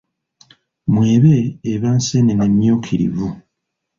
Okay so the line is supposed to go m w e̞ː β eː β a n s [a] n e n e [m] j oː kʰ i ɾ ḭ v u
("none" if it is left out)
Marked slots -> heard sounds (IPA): e, m

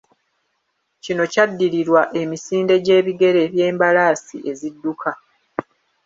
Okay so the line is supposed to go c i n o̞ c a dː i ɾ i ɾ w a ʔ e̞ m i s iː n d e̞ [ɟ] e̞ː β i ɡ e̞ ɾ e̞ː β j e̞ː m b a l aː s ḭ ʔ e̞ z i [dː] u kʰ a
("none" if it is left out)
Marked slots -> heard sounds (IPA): ɟ, dː

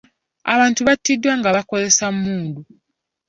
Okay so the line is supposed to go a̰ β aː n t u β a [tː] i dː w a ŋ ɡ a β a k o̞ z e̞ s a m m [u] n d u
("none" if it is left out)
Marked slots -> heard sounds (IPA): tː, uː

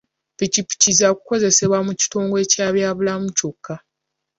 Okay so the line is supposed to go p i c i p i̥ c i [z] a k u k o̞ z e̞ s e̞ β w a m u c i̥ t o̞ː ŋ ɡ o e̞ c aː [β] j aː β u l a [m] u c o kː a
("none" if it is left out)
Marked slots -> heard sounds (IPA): z, β, m

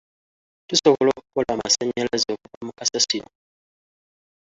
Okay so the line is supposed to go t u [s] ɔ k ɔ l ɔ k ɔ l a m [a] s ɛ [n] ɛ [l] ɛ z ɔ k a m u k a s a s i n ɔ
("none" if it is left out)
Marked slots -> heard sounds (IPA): s, a, ɲ, l

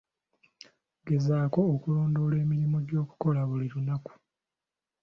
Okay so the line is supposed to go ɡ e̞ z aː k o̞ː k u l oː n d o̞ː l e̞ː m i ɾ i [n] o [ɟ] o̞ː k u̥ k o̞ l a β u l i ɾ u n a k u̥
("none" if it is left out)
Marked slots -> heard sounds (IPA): m, ɟ

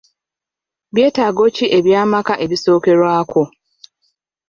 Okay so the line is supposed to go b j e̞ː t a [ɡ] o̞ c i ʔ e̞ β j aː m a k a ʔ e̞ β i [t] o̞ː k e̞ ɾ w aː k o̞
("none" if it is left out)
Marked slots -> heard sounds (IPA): ɡ, s

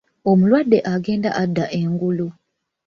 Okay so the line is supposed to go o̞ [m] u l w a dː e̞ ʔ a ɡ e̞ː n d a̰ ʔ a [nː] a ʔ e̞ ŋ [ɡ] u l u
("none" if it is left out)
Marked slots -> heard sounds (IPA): m, dː, ɡ

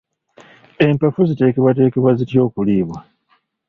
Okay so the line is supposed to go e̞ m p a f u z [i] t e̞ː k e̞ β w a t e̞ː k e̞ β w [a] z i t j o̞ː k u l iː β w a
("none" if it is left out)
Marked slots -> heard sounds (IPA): i, a

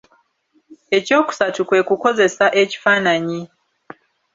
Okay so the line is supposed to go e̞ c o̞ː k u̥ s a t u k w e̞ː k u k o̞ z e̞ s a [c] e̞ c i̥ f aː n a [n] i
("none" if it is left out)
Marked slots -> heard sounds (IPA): ʔ, ɲ

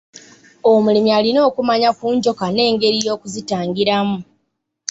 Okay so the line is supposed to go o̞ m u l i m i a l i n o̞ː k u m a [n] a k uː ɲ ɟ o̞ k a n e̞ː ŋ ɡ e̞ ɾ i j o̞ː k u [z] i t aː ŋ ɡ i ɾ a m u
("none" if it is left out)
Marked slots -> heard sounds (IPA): ɲ, z

